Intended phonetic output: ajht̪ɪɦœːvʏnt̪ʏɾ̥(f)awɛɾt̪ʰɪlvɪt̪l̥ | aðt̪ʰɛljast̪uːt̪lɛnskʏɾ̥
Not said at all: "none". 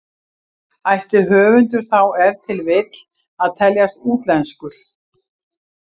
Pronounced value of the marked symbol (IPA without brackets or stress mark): θ